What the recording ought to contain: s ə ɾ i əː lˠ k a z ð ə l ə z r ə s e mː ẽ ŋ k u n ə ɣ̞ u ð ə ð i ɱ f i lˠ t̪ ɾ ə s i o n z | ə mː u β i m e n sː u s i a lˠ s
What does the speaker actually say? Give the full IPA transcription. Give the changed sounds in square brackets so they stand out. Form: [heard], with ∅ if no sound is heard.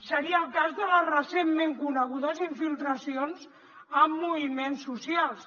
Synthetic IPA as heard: s ə ɾ i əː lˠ k a z ð ə l ə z r ə s e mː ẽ ŋ k u n ə ɣ̞ u ð ə [z] i ɱ f i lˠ t̪ ɾ ə s i o n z | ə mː u β i m e n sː u s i a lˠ s